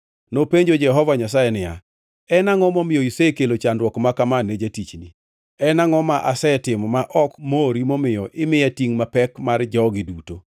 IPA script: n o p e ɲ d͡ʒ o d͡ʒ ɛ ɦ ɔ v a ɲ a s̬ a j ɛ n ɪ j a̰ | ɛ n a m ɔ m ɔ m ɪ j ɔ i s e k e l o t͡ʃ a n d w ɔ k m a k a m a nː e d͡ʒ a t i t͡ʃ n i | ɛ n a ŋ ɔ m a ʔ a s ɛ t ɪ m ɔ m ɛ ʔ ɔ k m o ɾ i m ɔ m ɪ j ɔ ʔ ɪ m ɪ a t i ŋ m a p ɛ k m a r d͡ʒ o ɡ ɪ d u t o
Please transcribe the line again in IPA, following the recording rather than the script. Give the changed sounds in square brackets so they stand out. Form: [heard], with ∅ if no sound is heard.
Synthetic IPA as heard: n o p e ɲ d͡ʒ o d͡ʒ ɛ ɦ ɔ v a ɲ a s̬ a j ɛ n ɪ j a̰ | ɛ n a [ŋ] ɔ m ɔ m ɪ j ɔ i s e k e l o t͡ʃ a n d w ɔ k m a k a m a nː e d͡ʒ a t i t͡ʃ n i | ɛ n a ŋ ɔ m a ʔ a s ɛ t ɪ m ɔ m [a] ʔ ɔ k m o ɾ i m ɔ m ɪ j ɔ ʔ ɪ m ɪ a t i ŋ m a p ɛ k m a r d͡ʒ [ɔ] ɡ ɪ d u t o